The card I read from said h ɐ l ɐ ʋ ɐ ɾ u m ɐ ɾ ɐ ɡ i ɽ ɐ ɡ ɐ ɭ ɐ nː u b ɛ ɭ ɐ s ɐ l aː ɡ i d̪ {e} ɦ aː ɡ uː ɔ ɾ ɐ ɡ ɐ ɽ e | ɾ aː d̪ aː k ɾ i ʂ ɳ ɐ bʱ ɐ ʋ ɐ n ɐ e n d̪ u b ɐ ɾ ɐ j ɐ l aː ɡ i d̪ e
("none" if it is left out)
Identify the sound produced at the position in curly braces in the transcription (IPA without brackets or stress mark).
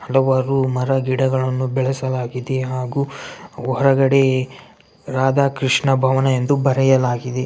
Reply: e